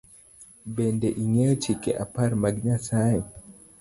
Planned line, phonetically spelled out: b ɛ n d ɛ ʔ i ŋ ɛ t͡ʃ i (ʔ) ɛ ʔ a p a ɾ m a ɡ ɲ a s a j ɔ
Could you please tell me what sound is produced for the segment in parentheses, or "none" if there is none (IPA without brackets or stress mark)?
k